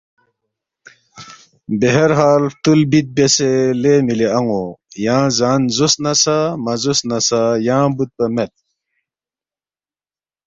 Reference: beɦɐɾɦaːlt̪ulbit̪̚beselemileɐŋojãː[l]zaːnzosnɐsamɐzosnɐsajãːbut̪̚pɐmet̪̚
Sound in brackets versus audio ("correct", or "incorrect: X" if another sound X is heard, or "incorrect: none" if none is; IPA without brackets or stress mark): incorrect: none